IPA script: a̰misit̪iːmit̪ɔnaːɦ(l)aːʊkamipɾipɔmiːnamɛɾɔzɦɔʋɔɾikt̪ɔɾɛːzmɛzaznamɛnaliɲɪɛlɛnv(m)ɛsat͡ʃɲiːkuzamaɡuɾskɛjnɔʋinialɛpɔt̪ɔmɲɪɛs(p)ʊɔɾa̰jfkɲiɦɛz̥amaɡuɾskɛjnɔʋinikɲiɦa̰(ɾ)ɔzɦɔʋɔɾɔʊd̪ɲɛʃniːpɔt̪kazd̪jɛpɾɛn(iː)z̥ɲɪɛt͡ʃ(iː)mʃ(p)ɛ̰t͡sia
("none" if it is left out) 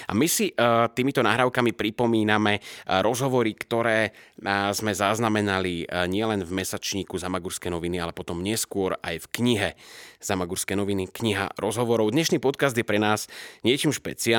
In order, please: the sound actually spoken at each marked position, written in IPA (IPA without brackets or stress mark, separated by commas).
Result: ɾ, m, k, ɾ, aː, iː, p